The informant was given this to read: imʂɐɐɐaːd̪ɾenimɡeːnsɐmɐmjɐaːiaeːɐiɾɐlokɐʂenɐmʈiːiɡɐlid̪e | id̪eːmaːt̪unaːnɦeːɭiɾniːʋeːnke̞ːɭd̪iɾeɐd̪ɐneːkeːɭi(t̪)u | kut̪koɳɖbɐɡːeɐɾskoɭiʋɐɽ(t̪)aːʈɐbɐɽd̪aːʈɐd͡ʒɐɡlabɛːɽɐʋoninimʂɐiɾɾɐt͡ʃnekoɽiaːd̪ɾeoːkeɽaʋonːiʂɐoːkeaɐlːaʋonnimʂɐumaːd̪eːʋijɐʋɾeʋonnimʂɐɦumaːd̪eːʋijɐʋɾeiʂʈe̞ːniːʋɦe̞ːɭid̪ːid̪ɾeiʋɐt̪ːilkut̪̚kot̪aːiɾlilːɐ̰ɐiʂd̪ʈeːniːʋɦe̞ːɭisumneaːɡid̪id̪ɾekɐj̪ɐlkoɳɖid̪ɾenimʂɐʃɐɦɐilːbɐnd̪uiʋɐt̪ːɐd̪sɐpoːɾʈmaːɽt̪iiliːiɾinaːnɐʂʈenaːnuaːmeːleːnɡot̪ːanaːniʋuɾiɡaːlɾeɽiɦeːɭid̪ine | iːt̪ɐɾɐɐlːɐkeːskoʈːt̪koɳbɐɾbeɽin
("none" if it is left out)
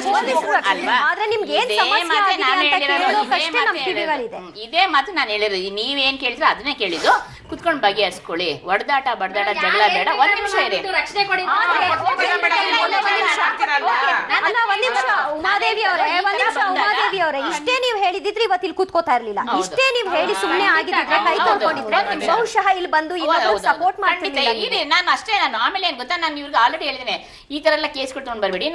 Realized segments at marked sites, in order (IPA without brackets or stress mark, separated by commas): d̪, d̪